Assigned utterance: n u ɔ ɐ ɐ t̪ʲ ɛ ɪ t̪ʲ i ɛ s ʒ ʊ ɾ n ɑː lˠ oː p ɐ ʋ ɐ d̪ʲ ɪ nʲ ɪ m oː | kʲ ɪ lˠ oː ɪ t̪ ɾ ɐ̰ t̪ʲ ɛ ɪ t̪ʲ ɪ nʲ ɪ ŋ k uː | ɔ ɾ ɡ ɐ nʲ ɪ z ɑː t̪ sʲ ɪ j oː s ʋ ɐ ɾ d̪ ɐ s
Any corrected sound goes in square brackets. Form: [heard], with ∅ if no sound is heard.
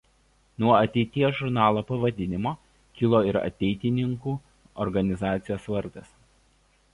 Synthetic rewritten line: n u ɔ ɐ ɐ t̪ʲ ɛ ɪ t̪ʲ i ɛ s ʒ ʊ ɾ n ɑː lˠ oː p ɐ ʋ ɐ d̪ʲ ɪ nʲ ɪ m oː | kʲ ɪ lˠ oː ɪ [∅] ɾ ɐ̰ t̪ʲ ɛ ɪ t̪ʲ ɪ nʲ ɪ ŋ k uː | ɔ ɾ ɡ ɐ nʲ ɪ z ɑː t̪ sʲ ɪ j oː s ʋ ɐ ɾ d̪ ɐ s